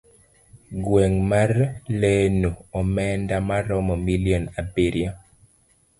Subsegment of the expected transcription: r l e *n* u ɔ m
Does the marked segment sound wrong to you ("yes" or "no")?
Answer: no